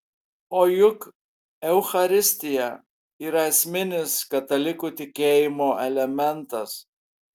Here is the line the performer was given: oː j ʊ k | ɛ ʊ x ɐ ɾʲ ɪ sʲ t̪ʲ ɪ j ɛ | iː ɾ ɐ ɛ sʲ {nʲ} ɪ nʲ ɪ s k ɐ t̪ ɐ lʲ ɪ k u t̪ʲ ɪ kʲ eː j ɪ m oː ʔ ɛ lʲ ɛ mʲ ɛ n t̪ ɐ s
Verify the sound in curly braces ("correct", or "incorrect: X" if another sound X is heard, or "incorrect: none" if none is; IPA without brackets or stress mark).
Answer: incorrect: mʲ